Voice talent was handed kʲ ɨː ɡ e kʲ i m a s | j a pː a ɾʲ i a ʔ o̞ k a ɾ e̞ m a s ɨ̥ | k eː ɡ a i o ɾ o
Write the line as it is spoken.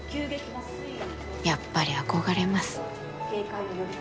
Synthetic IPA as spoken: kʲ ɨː ɡ e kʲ i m a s | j a pː a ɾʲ i a k o̞ ɡ a ɾ e̞ m a s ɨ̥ | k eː k a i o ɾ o